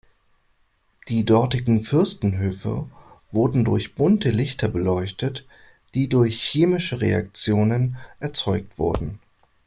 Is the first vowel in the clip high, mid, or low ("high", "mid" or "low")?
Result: high